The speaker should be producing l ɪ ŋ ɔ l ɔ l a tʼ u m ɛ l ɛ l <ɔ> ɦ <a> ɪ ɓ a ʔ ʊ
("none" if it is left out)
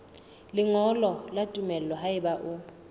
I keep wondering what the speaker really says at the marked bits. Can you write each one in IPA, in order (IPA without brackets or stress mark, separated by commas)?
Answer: ɔ, a